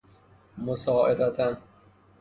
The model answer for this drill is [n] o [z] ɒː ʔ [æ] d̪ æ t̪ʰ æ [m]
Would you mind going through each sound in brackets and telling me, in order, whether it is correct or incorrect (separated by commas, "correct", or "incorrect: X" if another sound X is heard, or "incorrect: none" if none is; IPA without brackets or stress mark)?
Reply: incorrect: m, incorrect: s, incorrect: e, incorrect: n